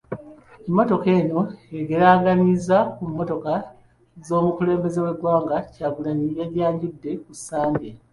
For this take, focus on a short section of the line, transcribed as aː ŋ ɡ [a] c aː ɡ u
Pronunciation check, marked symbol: correct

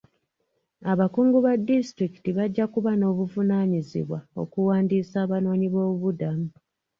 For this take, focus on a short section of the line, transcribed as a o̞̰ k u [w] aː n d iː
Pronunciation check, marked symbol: correct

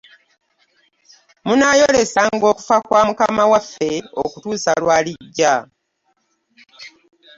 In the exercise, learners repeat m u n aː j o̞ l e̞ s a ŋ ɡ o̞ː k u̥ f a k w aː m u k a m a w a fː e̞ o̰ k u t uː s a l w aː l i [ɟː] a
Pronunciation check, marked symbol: correct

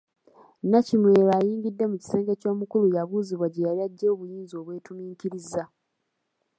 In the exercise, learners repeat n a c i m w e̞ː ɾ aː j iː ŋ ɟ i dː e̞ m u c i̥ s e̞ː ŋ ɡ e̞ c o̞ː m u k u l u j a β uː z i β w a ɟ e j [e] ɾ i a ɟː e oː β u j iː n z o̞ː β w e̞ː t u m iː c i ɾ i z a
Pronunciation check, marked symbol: incorrect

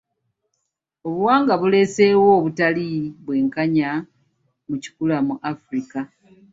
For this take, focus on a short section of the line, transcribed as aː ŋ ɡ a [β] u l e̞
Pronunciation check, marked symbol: correct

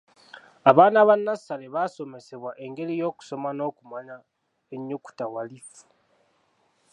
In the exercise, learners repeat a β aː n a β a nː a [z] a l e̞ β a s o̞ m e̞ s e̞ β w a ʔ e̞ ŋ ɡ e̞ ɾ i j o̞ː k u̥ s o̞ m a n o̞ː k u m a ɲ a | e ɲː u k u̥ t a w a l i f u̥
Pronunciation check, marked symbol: incorrect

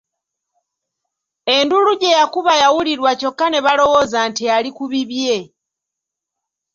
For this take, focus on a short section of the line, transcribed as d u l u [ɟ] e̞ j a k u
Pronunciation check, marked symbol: correct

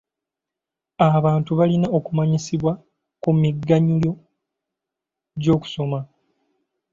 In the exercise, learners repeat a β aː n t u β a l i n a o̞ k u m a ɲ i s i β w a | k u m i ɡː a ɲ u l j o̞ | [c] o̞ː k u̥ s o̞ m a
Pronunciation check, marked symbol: incorrect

